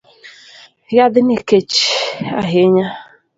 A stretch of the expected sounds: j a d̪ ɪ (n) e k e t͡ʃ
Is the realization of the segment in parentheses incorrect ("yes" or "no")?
no